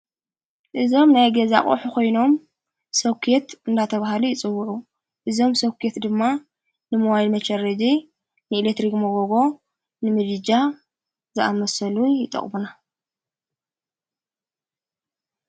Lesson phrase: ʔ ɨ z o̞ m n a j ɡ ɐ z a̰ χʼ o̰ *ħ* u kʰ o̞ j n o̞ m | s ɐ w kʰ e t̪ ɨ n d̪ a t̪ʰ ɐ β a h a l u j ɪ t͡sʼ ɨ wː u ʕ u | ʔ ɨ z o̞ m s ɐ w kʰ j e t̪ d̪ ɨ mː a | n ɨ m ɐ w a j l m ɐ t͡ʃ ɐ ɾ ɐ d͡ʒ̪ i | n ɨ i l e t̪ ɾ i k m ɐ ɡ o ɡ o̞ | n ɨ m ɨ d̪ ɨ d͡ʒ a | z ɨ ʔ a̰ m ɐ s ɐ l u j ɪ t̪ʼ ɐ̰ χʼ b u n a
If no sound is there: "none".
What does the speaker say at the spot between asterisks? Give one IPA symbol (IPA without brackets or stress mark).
ħ